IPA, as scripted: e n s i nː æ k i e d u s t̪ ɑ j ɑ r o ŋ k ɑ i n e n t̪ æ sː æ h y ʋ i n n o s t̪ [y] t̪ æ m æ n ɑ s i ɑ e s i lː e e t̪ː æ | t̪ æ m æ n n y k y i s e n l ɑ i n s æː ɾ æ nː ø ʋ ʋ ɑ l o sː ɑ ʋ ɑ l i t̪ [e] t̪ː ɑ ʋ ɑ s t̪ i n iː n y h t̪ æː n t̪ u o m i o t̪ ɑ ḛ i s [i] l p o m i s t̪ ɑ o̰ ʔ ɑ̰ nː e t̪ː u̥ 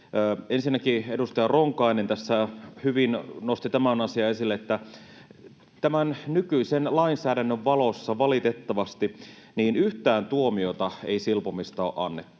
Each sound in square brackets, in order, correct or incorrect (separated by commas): incorrect, correct, correct